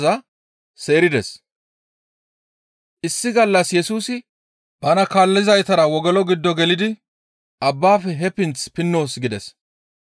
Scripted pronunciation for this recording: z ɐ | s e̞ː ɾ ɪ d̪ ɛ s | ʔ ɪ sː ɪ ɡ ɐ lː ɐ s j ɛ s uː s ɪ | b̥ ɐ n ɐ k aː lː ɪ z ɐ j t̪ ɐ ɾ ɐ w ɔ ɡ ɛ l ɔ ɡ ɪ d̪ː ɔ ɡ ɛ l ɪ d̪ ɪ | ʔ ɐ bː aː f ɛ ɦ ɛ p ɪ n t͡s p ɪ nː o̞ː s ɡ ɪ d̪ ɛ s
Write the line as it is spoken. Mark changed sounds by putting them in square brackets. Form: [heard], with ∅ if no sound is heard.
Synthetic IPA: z ɐ | s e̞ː ɾ ɪ d̪ ɛ s | ʔ ɪ sː ɪ ɡ ɐ lː ɐ s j ɛ s uː s ɪ | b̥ ɐ n ɐ k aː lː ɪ z ɐ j t̪ ɐ ɾ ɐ w ɔ ɡ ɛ l ɔ ɡ ɪ d̪ː ɔ ɡ ɛ l ɪ d̪ ɪ | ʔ ɐ bː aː f ɛ ɦ ɛ p ɪ n t͡s p ɪ nː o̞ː s ɡ ɪ d̪ ɛ s